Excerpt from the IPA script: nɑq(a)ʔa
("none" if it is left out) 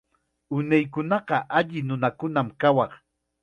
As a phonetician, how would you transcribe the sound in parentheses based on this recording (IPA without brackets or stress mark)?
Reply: ɑ